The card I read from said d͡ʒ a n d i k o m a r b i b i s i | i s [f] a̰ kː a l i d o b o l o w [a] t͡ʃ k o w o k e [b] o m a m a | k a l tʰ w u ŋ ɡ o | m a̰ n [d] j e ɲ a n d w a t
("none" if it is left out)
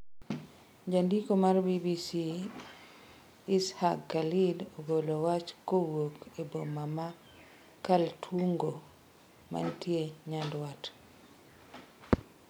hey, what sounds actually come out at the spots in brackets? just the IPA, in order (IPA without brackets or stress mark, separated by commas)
h, a, b, t